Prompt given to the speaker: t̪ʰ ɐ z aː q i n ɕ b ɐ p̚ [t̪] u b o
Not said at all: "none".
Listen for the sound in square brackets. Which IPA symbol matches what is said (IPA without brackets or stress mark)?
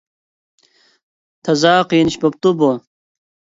t̪